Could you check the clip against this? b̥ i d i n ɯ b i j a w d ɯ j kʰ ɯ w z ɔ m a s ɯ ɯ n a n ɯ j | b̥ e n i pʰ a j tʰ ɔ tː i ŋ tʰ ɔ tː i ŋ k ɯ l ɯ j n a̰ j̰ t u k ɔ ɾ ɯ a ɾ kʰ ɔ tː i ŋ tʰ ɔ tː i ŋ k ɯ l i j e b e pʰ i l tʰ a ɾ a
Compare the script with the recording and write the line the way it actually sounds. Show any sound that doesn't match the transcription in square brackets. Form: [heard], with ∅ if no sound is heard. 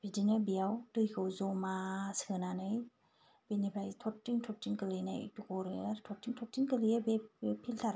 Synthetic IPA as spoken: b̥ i d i n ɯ b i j a w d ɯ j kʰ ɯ w z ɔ m a s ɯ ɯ n a n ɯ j | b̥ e n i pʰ a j tʰ ɔ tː i ŋ tʰ ɔ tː i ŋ k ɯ l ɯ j n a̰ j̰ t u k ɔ ɾ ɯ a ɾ [tʰ] ɔ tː i ŋ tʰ ɔ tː i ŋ k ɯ l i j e b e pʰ i l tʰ a ɾ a